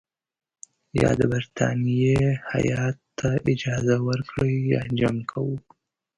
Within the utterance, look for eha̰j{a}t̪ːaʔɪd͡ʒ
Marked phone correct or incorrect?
incorrect